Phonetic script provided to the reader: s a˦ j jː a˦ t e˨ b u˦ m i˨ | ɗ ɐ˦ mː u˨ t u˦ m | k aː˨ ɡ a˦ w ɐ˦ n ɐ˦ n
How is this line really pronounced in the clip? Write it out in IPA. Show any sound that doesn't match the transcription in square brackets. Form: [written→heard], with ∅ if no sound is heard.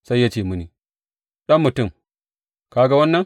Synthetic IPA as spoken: s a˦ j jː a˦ [t→t͡ʃ] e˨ [b→m] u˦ [m→n] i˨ | ɗ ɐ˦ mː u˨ t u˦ m | k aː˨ ɡ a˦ w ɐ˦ [n→nː] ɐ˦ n